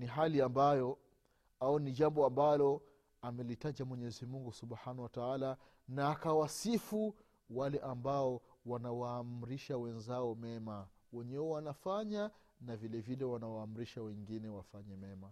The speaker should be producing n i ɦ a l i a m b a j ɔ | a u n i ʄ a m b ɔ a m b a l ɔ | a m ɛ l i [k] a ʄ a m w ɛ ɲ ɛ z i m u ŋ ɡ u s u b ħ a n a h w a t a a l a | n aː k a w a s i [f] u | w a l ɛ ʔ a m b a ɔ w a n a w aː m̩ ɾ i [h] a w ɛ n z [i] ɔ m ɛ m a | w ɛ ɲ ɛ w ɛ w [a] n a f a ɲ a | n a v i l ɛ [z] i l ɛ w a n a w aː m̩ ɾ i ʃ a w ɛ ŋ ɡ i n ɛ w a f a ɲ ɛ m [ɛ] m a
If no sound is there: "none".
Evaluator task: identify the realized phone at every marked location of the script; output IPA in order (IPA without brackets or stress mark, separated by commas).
t, f, ʃ, a, a, v, ɛ